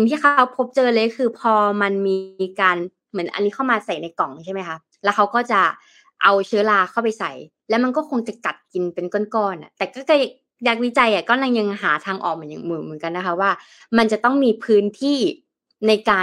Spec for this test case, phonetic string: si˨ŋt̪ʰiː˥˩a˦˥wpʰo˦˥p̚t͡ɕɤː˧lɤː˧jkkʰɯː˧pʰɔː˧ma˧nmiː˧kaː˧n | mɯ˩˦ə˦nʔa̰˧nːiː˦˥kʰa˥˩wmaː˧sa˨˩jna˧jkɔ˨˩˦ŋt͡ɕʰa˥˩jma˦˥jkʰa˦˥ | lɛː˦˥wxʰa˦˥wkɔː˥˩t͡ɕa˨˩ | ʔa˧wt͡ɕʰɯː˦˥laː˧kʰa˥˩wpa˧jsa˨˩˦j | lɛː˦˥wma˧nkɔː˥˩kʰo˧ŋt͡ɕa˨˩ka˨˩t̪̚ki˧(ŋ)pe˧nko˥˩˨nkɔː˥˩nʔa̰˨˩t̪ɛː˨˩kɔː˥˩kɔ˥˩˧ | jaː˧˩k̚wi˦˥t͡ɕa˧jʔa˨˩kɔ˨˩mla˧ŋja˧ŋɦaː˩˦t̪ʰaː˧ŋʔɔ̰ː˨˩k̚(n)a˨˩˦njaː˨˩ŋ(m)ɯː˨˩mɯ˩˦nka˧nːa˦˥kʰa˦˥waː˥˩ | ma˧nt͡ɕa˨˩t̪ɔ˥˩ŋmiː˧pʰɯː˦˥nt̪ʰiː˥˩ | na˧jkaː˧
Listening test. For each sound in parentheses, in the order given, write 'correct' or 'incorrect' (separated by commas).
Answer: incorrect, incorrect, correct